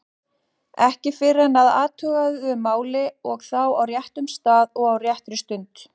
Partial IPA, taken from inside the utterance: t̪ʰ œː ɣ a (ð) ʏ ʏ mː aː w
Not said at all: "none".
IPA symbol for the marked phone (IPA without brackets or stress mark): ð